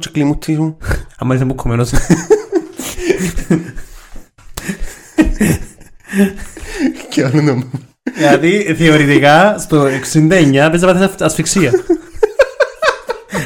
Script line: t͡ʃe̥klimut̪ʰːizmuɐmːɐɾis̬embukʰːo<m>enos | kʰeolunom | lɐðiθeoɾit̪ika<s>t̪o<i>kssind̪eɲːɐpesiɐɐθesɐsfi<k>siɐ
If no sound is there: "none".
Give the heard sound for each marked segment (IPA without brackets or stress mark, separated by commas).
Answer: m, s, e, k